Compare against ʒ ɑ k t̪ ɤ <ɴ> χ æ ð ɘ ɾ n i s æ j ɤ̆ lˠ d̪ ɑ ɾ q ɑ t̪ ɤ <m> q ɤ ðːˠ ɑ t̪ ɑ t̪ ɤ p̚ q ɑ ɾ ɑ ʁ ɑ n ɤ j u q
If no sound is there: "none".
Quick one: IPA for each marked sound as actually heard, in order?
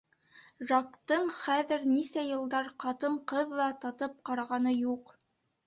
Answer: ɴ, ɴ

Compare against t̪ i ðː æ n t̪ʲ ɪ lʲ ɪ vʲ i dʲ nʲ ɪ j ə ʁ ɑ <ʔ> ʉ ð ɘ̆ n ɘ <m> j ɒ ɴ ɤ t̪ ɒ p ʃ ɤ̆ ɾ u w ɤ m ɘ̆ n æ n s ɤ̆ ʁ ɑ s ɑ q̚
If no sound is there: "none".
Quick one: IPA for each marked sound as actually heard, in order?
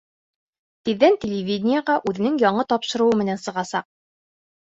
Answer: ʔ, ŋ

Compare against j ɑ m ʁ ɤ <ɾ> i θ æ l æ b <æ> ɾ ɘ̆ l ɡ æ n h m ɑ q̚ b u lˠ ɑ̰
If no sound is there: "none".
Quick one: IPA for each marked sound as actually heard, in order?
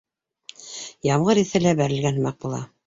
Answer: ɾ, æ

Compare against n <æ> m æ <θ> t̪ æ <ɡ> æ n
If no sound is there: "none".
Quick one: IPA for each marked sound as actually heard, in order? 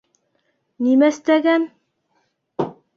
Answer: i, s, ɡ

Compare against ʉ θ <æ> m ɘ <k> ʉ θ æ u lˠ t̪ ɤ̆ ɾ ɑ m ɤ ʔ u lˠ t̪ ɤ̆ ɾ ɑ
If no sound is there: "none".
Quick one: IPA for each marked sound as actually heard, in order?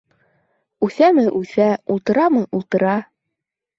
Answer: æ, ʔ

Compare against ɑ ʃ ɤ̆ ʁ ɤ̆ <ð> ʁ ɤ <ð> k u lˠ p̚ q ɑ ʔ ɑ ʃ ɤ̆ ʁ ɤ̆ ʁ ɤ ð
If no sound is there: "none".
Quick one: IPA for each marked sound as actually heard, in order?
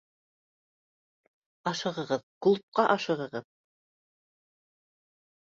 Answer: none, ð

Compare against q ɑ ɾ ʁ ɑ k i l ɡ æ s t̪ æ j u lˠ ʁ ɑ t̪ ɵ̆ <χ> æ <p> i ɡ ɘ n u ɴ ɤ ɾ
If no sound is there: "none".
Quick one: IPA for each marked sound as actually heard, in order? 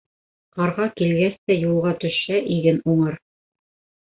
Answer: ʃ, ʔ

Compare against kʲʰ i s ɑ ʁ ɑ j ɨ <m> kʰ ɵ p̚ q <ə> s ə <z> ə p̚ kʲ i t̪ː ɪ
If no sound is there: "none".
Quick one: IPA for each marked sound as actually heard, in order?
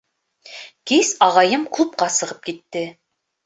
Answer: m, ɑ, ʁ

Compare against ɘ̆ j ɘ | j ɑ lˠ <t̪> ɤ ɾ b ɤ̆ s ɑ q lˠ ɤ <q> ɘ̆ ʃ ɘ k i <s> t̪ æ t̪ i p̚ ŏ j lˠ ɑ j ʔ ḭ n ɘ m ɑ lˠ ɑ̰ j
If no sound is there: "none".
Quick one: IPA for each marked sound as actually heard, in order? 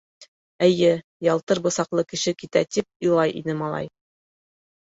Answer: t̪, k, none

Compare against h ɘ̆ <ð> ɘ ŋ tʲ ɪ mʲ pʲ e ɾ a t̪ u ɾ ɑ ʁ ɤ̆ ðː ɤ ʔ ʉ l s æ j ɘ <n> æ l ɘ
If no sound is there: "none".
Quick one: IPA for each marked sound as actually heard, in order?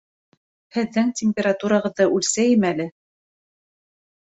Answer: ðː, m

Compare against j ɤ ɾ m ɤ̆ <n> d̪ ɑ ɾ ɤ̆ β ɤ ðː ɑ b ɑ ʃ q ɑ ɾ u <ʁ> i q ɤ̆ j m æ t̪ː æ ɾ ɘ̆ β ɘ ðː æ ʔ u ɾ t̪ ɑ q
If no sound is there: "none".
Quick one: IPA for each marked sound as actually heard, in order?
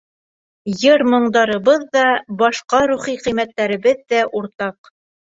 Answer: ɴ, χ

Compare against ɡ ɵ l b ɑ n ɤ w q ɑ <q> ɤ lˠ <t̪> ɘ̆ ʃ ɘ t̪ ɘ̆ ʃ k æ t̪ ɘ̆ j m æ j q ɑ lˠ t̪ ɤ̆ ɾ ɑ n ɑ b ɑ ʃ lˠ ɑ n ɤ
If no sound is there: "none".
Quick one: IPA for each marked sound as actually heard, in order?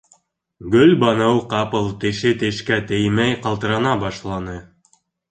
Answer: p, t̪

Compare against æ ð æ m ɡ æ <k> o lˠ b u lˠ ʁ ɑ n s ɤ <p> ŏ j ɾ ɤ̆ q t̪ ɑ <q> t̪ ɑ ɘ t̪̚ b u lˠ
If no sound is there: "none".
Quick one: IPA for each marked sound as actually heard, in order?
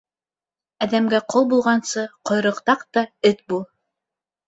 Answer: q, q, q

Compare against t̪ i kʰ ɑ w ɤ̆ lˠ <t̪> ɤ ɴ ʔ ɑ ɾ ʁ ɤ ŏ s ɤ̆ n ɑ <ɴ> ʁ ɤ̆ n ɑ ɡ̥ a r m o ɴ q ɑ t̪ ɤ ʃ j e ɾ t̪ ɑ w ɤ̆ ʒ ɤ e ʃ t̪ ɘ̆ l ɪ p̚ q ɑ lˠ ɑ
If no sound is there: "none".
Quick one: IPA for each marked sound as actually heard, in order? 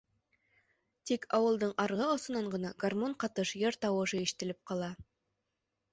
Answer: d̪, ɴ

